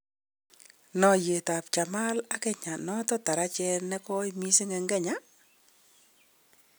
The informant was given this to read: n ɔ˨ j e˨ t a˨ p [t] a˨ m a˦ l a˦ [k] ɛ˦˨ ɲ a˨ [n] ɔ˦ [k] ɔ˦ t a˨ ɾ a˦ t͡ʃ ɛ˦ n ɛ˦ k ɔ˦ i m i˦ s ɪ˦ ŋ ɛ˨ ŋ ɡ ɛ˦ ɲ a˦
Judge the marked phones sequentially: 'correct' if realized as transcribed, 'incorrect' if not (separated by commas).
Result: incorrect, correct, correct, incorrect